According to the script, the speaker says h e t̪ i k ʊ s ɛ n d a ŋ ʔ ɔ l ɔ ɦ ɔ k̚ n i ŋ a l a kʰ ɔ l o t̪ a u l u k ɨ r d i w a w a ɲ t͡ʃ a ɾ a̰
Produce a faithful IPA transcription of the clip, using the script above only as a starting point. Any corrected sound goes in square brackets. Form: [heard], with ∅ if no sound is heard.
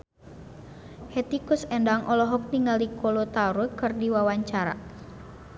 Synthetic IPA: h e t̪ i k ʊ s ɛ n d a ŋ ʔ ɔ l ɔ ɦ ɔ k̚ n i ŋ a l [i] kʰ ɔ l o t̪ a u [ɾ] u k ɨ r d i w a w a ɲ t͡ʃ a ɾ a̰

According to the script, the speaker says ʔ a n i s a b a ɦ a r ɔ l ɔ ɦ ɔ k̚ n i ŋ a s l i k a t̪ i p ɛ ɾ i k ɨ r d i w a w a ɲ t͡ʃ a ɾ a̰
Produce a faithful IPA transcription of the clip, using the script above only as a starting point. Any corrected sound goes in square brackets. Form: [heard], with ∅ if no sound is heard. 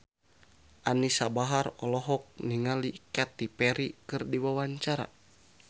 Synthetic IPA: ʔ a n i s a b a ɦ a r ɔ l ɔ ɦ ɔ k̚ n i ŋ a [∅] l i k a t̪ i p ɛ ɾ i k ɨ r d i w a w a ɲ t͡ʃ a ɾ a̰

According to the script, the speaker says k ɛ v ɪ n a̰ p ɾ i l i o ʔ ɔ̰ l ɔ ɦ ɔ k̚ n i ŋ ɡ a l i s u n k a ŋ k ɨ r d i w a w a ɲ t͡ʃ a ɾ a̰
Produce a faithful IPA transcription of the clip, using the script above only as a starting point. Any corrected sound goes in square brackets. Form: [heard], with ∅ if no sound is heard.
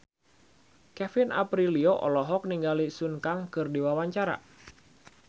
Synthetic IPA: k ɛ [f] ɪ n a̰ p ɾ i l i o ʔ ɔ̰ l ɔ ɦ ɔ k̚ n i ŋ ɡ a l i s u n k a ŋ k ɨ r d i w a w a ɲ t͡ʃ a ɾ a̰

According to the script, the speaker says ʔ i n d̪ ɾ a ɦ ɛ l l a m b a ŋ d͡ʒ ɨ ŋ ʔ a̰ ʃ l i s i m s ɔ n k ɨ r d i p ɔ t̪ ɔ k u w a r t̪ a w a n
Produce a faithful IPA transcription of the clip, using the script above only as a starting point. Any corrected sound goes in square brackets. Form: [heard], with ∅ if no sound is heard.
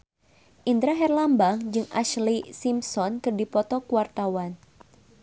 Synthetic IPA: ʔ i n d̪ ɾ a ɦ ɛ [r] l a m b a ŋ d͡ʒ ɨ ŋ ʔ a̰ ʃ l i s i m s ɔ n k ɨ r d i p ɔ t̪ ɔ k u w a r t̪ a w a n

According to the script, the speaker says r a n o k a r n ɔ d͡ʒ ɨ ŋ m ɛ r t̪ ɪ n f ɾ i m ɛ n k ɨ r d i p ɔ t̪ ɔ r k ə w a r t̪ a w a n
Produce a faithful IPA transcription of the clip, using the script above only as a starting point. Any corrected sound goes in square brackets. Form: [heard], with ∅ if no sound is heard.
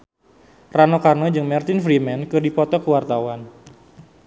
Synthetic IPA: r a n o k a r n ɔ d͡ʒ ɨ ŋ m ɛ r t̪ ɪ n f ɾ i m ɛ n k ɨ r d i p ɔ t̪ ɔ [∅] k ə w a r t̪ a w a n

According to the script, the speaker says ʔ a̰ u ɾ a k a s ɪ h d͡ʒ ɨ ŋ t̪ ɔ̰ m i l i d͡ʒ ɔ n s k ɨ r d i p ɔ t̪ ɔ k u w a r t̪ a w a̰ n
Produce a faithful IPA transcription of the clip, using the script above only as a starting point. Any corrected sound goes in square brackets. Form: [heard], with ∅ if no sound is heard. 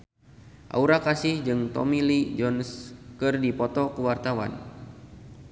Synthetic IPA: ʔ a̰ u ɾ a k a s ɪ h d͡ʒ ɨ ŋ t̪ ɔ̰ m i l i d͡ʒ ɔ n s k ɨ r d i p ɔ t̪ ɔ k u w a r t̪ a w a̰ n

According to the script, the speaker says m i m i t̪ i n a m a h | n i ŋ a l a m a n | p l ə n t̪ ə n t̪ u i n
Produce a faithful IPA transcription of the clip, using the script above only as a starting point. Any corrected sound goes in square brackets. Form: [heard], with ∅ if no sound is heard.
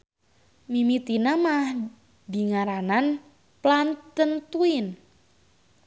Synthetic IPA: m i m i t̪ i n a m a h | [d] i ŋ a [ɾ] a [n] a n | p l [a] n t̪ ə n t̪ u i n

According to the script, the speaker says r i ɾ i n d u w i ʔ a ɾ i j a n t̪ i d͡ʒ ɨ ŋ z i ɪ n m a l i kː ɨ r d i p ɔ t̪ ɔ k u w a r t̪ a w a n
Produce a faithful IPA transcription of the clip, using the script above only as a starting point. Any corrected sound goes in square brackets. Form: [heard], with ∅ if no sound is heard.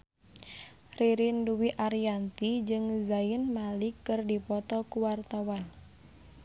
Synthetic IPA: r i ɾ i n d u w i ʔ a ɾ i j a n t̪ i d͡ʒ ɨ ŋ z [a] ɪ n m a l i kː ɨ r d i p ɔ t̪ ɔ k u w a r t̪ a w a n

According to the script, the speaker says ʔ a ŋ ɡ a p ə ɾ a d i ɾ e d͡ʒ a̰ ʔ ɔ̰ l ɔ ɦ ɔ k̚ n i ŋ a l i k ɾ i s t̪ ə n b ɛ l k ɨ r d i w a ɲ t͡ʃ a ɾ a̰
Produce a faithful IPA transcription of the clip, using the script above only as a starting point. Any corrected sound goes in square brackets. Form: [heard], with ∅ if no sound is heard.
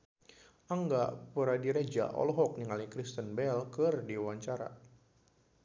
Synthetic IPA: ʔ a ŋ ɡ a p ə ɾ a d i ɾ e d͡ʒ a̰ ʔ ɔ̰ l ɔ ɦ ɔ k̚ n i ŋ a l i k ɾ i s t̪ ə n b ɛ l k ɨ r d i w a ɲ t͡ʃ a ɾ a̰

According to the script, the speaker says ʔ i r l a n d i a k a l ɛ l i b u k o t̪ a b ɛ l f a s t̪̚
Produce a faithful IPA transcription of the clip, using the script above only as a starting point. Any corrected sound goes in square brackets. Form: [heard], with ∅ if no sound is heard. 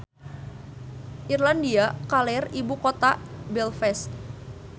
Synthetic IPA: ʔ i r l a n d i a k a l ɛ [r] i b u k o t̪ a b ɛ l f [ɛ] s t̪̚

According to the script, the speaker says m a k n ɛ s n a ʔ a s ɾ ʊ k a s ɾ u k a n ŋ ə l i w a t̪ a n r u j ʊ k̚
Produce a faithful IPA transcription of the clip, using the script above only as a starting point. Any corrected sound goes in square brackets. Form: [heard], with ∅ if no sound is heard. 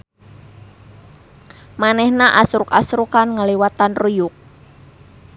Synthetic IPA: m a [∅] n ɛ [h] n a ʔ a s ɾ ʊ k a s ɾ u k a n ŋ ə l i w a t̪ a n r u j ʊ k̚

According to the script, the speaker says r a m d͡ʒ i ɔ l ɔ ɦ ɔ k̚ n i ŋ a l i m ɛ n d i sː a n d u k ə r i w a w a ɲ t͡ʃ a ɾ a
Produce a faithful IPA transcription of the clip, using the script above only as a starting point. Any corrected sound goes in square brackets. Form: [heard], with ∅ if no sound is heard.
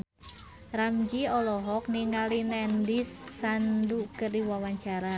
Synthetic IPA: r a m d͡ʒ i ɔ l ɔ ɦ ɔ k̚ n i ŋ a l i [n] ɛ n d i sː a n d u k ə r i w a w a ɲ t͡ʃ a ɾ a

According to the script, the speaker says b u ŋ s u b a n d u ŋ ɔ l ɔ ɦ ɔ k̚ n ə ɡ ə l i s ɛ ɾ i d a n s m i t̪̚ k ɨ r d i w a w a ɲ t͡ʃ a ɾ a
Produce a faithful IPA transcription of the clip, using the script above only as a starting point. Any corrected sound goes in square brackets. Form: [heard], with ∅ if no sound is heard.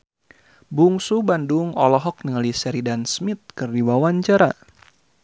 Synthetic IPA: b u ŋ s u b a n d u ŋ ɔ l ɔ ɦ ɔ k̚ n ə [ŋ] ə l i s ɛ ɾ i d a n s m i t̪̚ k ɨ r d i w a w a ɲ t͡ʃ a ɾ a

